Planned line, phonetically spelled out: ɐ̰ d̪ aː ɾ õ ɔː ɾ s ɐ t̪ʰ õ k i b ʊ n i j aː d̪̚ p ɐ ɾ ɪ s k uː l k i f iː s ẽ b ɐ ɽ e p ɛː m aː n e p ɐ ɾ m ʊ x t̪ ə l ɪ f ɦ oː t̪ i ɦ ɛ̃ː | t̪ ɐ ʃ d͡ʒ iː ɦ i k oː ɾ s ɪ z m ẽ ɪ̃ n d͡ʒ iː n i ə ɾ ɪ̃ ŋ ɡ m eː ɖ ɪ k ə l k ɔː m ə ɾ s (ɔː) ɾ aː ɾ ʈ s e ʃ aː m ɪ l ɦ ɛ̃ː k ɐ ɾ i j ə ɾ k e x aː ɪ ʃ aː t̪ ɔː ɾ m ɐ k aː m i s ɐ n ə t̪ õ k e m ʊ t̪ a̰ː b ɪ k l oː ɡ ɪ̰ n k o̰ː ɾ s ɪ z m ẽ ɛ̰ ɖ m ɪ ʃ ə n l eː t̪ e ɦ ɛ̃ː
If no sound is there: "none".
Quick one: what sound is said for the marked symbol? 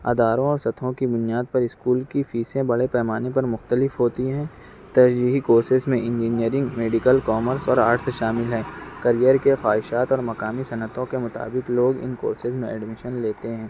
ɔː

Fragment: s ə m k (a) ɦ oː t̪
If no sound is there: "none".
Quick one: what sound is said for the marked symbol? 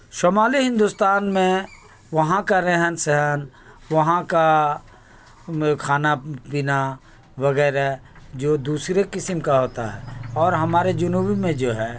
a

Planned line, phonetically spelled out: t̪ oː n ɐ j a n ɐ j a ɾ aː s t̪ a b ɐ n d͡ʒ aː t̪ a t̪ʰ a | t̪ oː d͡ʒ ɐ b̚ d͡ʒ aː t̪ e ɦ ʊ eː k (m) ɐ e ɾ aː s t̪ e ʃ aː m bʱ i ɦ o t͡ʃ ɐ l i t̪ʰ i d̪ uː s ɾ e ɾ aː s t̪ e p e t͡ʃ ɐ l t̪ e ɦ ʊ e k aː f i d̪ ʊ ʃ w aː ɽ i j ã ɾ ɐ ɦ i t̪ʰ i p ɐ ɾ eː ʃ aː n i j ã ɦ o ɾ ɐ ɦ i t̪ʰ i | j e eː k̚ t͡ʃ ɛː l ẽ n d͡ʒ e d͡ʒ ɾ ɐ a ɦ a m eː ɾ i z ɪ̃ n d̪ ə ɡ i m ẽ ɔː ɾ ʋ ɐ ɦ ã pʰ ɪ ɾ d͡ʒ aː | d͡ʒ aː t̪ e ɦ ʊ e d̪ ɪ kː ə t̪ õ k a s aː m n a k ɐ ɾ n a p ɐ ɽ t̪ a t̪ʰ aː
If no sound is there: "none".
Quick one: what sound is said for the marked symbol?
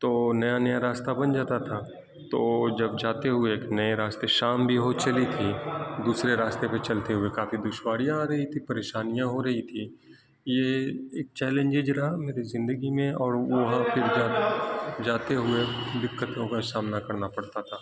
n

